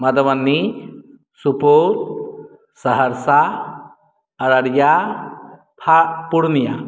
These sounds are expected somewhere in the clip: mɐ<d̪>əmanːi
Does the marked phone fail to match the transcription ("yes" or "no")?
no